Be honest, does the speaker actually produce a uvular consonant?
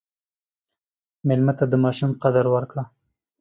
yes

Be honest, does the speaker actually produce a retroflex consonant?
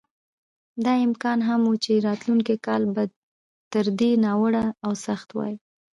yes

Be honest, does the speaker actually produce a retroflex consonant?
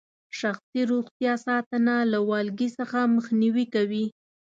no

